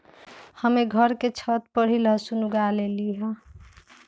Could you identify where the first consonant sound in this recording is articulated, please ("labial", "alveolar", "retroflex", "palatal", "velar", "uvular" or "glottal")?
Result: glottal